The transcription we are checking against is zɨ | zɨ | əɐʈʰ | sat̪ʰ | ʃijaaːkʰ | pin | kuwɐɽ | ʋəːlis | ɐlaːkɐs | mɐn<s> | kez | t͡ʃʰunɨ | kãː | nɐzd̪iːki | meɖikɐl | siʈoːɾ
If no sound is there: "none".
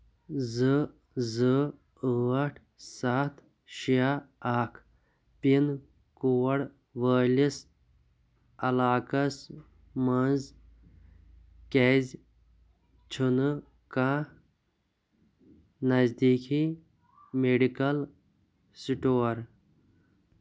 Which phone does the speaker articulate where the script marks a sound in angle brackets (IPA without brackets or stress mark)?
z